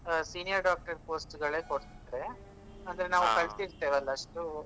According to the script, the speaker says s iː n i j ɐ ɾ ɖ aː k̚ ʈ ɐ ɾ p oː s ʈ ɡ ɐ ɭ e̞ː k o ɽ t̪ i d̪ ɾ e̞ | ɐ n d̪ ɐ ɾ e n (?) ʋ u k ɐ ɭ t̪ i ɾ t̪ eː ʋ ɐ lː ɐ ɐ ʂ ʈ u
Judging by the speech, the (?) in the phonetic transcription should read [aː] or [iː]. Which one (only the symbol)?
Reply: aː